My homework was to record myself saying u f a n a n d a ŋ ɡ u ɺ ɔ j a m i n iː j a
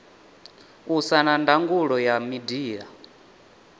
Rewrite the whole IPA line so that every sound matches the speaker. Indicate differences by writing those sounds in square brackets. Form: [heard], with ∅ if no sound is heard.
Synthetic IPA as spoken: u [s] a n a n d a ŋ ɡ u ɺ ɔ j a m i [d] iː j a